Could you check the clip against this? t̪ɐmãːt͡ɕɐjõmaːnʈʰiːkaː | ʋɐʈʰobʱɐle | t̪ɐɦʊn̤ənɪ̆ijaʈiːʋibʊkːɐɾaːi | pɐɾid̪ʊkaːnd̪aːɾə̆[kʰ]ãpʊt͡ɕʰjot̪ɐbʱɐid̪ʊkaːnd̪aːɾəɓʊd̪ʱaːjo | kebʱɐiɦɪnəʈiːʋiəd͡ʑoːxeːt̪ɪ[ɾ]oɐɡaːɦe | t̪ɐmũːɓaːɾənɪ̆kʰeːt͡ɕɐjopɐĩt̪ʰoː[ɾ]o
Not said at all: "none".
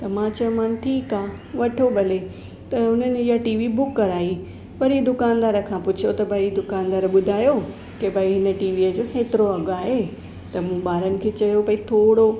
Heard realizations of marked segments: kʰ, ɾ, ɽ

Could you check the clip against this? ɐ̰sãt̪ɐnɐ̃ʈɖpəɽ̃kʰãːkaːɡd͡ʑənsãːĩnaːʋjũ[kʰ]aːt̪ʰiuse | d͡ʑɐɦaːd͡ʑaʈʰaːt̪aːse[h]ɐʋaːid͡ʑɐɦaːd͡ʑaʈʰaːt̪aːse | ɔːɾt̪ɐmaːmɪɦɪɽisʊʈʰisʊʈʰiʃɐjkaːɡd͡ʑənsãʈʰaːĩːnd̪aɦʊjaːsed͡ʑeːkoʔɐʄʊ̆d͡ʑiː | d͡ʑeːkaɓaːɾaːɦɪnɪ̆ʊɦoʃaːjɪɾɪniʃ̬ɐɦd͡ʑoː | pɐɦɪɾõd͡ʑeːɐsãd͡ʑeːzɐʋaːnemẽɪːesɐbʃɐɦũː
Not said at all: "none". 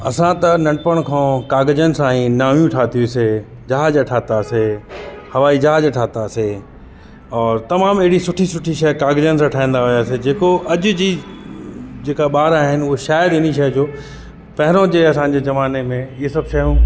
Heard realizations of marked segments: ʈʰ, h

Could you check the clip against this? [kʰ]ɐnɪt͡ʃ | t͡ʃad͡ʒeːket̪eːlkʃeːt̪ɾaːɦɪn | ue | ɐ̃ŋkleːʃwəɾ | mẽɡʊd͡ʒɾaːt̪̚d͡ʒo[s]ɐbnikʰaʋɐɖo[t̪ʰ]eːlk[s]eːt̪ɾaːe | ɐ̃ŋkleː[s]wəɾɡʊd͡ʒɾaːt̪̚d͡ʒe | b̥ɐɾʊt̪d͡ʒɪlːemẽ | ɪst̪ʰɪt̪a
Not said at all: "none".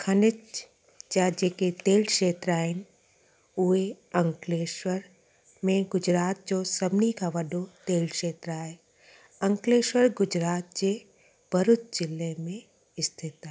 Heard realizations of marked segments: kʰ, s, t̪, ʃ, ʃ

